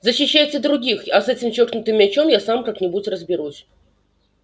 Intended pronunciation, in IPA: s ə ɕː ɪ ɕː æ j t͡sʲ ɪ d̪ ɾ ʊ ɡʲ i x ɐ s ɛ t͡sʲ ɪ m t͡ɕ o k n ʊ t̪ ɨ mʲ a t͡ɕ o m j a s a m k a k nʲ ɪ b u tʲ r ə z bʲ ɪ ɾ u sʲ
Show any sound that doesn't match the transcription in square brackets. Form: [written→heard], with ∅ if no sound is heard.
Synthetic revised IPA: [s→z] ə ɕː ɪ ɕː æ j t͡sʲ ɪ d̪ ɾ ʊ ɡʲ i x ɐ s ɛ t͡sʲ ɪ m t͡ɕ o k n ʊ t̪ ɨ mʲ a t͡ɕ o m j a s a m k a k nʲ ɪ b u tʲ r ə z bʲ ɪ ɾ u sʲ